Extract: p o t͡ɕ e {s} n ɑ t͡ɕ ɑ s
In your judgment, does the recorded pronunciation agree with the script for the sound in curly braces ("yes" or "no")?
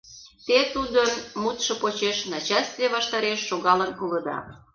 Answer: no